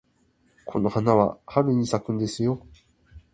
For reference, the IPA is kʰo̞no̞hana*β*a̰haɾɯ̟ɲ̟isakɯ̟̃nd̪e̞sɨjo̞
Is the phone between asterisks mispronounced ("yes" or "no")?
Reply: no